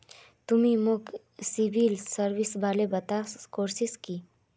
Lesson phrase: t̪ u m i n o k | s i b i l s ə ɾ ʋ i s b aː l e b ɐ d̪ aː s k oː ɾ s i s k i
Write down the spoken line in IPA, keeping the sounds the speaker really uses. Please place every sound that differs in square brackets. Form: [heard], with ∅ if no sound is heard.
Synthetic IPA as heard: t̪ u m i [m] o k | s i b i l s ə ɾ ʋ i s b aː l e b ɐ [t̪] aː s k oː ɾ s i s k i